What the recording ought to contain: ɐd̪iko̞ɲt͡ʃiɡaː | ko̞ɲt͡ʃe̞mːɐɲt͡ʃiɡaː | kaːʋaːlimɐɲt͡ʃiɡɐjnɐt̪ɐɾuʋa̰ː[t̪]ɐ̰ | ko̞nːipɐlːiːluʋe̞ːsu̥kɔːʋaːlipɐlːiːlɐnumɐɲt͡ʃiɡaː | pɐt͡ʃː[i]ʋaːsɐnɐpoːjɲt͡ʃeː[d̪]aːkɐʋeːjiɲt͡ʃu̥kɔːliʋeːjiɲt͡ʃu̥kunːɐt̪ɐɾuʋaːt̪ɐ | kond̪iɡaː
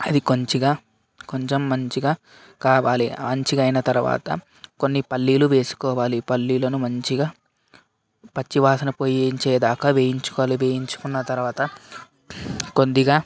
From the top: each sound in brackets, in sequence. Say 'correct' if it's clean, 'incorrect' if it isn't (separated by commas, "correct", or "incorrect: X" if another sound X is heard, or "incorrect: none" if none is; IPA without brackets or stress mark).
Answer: correct, correct, correct